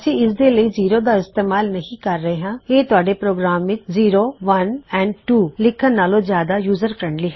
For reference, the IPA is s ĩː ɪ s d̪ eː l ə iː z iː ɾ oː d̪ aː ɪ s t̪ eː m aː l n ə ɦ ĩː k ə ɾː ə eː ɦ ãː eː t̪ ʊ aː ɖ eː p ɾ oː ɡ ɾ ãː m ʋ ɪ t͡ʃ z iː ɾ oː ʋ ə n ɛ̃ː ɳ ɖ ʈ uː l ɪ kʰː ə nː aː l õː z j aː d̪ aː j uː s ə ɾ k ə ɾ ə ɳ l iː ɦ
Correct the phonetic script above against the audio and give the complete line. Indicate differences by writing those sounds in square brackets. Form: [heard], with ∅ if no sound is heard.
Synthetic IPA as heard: s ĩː ɪ s d̪ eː l ə iː z iː ɾ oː d̪ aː ɪ s t̪ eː m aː l n ə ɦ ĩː k ə ɾː ə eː ɦ ãː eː t̪ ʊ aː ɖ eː p ɾ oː ɡ ɾ [aː] m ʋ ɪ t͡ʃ z iː ɾ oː ʋ ə n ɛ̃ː ɳ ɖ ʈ uː l ɪ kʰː ə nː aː l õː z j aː d̪ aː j uː [z] ə ɾ k ə ɾ ə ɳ l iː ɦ